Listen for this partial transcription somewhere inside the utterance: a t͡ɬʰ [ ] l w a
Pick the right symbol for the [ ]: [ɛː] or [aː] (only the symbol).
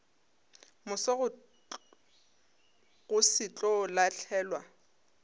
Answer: ɛː